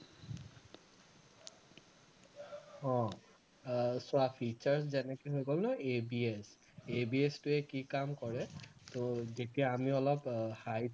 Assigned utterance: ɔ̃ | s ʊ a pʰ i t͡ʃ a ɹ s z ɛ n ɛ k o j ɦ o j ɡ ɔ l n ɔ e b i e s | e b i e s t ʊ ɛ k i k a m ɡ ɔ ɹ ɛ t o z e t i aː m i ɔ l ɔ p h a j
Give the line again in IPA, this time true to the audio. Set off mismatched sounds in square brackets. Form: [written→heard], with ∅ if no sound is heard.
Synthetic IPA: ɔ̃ | s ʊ a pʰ i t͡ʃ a ɹ s z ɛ n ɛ k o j ɦ o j ɡ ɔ l n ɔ e b i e s | e b i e s t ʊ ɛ k i k a m [ɡ→k] ɔ ɹ ɛ t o z e t i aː m i ɔ l ɔ p h a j